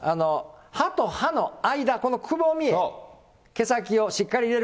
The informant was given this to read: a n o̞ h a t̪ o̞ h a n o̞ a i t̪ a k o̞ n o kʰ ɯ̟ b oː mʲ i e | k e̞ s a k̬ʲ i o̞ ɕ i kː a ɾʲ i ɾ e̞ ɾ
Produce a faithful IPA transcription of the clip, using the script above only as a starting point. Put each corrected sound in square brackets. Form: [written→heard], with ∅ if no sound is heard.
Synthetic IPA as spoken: a n o̞ h a t̪ o̞ h a n o̞ a i [t̪→d̪] a k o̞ n o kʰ ɯ̟ b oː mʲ i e | k e̞ s a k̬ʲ i o̞ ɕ i kː a ɾʲ i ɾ e̞ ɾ